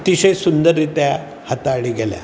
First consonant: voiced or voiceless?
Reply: voiceless